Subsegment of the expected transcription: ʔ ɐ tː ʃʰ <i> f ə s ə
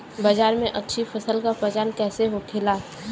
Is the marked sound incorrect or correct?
correct